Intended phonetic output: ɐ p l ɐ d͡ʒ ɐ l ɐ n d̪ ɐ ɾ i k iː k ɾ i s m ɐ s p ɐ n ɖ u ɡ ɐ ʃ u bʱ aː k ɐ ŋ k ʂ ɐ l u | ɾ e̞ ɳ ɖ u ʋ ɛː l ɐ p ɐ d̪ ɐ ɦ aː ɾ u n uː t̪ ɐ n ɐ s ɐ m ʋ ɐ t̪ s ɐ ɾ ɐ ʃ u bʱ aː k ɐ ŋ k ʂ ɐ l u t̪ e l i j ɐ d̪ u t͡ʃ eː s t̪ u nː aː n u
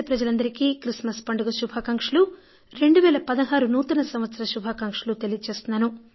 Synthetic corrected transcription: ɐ p ɾ ɐ d͡ʒ ɐ l ɐ n d̪ ɐ ɾ i k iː k ɾ i s m ɐ s p ɐ ɳ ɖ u ɡ ɐ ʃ u bʱ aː k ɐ ŋ k ʂ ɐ l u | ɾ e̞ ɳ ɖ u ʋ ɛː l ɐ p ɐ d̪ ɐ ɦ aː ɾ u n uː t̪ ɐ n ɐ s ɐ m ʋ ɐ t̪ s ɐ ɾ ɐ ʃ u bʱ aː k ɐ ŋ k ʂ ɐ l u t̪ e l i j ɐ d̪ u t͡ʃ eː s t̪ u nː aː n u